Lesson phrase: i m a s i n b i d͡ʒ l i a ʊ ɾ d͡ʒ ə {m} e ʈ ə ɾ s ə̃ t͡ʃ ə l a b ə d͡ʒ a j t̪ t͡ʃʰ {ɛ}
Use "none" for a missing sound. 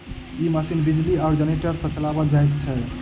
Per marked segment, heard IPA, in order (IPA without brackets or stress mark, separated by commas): n, ɛ